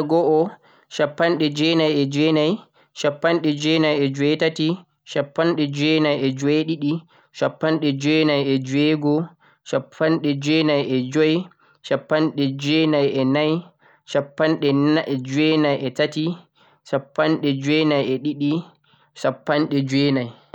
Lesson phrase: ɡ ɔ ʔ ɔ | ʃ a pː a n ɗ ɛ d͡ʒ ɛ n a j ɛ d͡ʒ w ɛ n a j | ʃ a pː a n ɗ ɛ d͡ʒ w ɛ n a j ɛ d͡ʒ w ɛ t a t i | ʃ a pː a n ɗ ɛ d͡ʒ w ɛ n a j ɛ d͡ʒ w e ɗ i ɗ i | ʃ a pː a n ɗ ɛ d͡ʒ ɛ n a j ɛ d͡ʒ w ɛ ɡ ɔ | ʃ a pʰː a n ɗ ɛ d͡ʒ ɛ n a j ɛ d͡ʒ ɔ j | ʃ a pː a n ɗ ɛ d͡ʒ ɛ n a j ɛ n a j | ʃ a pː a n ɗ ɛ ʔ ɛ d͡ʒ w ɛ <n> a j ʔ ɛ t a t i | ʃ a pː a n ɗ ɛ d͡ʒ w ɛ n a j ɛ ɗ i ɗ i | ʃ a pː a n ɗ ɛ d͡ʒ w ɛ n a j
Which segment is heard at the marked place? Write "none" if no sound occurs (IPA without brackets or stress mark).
n